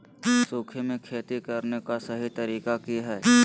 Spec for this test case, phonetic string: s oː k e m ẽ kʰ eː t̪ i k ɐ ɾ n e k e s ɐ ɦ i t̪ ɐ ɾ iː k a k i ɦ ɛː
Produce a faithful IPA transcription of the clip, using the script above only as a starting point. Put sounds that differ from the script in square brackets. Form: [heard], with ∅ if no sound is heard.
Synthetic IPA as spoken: s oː [kʰ] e m ẽ kʰ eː t̪ i k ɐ ɾ n e k [a] s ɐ ɦ i t̪ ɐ ɾ iː k a k i ɦ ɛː